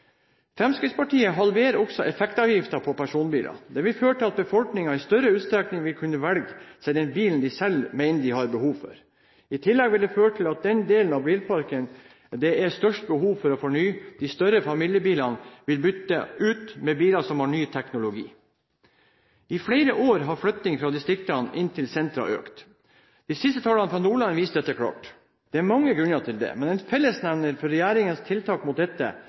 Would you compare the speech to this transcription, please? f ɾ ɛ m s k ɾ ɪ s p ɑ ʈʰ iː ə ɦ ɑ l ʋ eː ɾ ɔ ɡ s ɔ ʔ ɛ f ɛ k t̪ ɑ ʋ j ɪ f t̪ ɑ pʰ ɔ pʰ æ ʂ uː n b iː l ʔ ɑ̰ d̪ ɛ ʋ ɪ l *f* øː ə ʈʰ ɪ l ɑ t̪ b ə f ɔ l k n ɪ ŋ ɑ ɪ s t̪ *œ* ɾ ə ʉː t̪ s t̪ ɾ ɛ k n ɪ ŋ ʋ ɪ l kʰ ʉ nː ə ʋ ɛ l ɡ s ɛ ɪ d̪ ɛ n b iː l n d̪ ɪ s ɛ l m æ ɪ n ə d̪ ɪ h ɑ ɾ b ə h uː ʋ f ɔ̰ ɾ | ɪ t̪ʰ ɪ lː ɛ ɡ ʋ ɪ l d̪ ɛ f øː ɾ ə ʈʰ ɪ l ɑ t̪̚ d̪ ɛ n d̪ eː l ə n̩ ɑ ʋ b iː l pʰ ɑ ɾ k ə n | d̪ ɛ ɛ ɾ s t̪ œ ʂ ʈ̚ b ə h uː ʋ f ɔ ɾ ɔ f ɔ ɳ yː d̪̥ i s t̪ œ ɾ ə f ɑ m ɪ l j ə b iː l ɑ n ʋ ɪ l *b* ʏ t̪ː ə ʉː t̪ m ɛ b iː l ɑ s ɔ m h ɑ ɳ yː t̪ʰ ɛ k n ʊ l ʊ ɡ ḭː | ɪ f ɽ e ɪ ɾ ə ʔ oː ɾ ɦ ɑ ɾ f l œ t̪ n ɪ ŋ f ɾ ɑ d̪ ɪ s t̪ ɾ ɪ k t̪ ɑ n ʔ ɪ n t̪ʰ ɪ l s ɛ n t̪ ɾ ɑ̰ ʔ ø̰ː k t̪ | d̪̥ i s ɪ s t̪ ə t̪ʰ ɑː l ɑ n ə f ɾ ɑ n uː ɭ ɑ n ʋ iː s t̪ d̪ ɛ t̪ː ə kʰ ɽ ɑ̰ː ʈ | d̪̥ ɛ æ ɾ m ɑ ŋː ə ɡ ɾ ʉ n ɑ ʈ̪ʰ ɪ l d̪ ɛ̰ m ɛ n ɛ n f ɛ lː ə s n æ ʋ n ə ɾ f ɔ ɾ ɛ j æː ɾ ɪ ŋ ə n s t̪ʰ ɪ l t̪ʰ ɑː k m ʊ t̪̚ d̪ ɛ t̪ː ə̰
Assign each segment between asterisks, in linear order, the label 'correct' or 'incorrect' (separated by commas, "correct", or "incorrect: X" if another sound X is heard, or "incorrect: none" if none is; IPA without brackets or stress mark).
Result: correct, correct, correct